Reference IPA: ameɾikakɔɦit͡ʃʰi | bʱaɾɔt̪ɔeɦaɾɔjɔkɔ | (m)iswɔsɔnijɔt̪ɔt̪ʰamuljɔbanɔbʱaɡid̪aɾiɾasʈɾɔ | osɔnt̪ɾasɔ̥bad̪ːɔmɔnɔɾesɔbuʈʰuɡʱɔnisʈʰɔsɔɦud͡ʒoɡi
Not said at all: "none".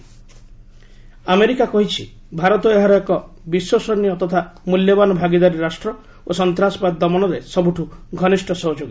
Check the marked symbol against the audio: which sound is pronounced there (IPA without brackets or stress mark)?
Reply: b